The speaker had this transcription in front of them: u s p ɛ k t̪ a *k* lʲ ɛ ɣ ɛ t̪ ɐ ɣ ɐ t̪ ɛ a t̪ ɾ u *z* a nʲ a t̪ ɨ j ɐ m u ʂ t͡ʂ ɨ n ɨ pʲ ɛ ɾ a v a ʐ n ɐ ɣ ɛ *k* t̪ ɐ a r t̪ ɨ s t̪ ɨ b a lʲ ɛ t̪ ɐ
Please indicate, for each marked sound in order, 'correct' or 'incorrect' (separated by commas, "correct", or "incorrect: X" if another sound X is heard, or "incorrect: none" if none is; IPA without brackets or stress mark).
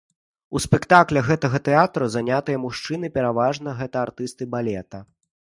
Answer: correct, correct, incorrect: none